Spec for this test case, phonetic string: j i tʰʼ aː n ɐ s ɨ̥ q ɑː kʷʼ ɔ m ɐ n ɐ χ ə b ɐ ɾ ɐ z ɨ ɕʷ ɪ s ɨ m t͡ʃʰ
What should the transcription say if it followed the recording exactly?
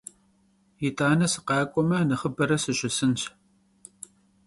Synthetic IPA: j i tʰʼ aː n ɐ s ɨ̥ q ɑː kʷʼ ɔ m ɐ n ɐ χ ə b ɐ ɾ ɐ s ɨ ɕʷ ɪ s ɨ n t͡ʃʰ